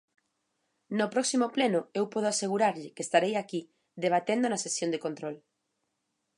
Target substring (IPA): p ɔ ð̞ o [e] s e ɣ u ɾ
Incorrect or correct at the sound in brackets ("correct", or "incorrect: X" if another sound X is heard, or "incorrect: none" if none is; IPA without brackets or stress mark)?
incorrect: a